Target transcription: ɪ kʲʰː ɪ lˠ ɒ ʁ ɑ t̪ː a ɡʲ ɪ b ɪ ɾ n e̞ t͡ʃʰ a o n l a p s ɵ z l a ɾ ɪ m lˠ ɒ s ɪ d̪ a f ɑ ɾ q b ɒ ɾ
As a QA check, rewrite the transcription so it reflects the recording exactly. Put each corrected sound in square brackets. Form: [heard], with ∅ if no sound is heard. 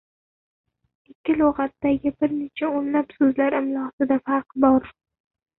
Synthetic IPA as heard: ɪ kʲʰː ɪ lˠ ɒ ʁ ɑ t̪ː a ɡʲ ɪ b ɪ ɾ n e̞ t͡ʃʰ a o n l a p s ɵ z l a ɾ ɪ m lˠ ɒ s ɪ d̪ a f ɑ ɾ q b ɒ ɾ